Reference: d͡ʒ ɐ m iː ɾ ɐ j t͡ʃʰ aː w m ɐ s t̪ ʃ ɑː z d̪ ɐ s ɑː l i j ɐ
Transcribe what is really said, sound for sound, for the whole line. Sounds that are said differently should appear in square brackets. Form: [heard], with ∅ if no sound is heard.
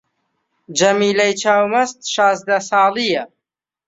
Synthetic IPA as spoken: d͡ʒ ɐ m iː [l] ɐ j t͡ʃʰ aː w m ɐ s t̪ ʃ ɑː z d̪ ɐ s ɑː l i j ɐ